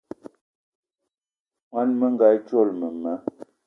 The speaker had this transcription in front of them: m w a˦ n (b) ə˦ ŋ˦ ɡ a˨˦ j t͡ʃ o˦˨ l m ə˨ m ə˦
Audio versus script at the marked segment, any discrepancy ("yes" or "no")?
yes